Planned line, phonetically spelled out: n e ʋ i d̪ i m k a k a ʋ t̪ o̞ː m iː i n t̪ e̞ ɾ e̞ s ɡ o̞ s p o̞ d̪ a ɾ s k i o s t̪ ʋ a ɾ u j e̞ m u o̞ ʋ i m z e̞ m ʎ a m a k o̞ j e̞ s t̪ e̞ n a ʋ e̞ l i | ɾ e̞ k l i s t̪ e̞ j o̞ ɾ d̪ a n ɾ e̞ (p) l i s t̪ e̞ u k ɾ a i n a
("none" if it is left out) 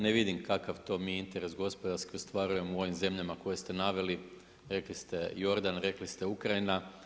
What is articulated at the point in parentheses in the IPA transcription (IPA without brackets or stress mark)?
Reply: k